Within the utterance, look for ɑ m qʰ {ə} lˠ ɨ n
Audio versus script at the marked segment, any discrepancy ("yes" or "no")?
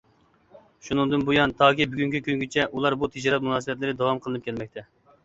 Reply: no